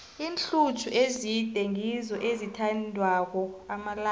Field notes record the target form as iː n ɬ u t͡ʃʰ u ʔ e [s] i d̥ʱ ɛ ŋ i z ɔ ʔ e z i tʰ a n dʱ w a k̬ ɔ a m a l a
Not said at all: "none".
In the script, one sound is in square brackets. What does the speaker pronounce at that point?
z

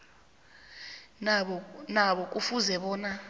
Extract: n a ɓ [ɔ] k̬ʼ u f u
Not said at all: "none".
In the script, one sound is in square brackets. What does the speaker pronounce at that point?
ɔ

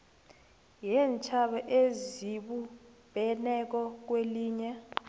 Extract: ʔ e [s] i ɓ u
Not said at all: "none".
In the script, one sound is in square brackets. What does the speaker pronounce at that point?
z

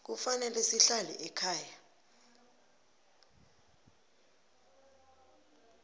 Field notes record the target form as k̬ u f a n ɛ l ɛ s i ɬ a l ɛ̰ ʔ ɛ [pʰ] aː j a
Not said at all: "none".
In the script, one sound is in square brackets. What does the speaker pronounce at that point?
kʰ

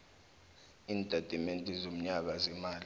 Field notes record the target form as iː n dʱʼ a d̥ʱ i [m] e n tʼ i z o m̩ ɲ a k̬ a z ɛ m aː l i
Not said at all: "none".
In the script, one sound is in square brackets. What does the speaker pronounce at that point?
m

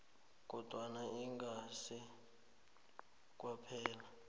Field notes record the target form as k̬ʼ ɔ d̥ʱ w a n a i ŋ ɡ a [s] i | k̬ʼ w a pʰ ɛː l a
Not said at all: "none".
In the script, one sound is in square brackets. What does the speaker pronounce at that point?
s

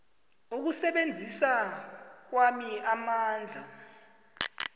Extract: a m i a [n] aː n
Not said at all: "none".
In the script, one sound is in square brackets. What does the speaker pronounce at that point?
m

